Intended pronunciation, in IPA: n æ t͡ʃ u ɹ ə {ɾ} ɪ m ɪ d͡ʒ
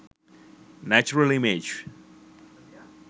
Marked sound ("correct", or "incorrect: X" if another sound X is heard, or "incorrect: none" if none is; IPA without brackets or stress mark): incorrect: l